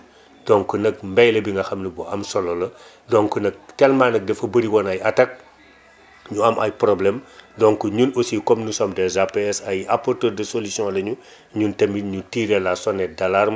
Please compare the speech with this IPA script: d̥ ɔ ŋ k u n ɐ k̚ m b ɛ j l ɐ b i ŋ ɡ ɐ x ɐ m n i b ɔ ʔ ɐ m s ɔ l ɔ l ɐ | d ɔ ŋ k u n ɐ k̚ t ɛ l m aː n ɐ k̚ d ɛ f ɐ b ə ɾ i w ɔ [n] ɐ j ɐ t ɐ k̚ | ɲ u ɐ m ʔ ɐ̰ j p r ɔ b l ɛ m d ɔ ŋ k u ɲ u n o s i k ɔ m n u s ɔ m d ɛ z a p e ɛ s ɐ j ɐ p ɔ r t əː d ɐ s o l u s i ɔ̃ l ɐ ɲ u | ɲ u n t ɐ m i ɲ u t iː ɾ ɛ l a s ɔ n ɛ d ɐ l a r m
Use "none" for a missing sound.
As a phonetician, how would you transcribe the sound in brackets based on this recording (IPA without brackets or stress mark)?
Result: n